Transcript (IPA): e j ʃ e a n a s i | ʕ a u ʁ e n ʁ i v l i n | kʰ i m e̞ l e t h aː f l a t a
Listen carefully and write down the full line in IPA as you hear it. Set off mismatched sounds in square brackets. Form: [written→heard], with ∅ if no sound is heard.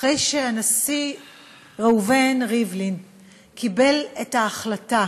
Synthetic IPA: e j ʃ e a n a s i | [ʕ→ʁ] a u [ʁ→v] e n ʁ i v l i n | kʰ i [m→b] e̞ l e t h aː [f→χ] l a t a

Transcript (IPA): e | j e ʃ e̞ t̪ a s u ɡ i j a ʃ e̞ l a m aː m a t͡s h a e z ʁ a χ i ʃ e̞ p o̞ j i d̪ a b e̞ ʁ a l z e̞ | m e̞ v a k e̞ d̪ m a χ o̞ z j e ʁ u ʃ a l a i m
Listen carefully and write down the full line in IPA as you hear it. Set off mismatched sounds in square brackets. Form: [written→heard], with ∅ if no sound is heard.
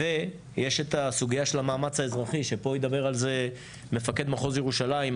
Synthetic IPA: e | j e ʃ e̞ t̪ a s u ɡ i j a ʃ e̞ l a m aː m a t͡s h a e z ʁ a χ i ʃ e̞ p o̞ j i d̪ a b e̞ ʁ a l z e̞ | m e̞ [v→f] a k e̞ d̪ m a χ o̞ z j e ʁ u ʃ a l a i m

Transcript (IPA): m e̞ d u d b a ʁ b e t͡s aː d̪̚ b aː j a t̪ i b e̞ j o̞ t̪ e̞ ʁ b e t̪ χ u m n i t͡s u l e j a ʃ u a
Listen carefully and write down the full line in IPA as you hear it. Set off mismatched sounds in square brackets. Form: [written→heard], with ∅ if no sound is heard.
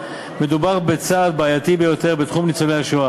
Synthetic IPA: m e̞ d u [d→∅] b a ʁ b e t͡s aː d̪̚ b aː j a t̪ i b e̞ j o̞ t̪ e̞ ʁ b e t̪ χ u m n i t͡s [u→o] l e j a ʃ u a

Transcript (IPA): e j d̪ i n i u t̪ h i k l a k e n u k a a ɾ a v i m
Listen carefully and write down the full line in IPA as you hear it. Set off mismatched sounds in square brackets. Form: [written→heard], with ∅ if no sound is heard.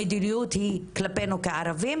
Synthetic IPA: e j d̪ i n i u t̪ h i k l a [k→p] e n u k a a ɾ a v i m

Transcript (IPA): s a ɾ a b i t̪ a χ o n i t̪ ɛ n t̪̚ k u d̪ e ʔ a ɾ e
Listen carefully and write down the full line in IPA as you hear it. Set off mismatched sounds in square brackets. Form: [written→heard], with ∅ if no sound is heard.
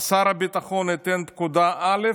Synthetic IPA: s a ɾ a b i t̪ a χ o n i t̪ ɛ n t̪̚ k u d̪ [e→a] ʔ a [ɾ→l] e

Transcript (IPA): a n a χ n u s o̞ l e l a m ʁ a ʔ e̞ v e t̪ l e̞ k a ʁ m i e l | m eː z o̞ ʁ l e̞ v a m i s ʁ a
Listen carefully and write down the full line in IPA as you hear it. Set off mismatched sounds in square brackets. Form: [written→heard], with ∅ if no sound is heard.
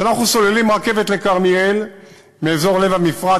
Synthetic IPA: a n a χ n u s o̞ l e l [a→i] m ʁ a [ʔ→k] e̞ v e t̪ l e̞ k a ʁ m i e l | m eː z o̞ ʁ l e̞ v a m i [s→f] ʁ a

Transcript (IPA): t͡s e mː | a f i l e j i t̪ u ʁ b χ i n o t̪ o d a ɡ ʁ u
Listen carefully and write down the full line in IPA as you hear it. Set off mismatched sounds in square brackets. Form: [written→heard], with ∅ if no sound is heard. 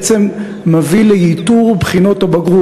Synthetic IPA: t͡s e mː | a [f→v] i l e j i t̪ u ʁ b χ i n o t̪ o [d→b] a ɡ ʁ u

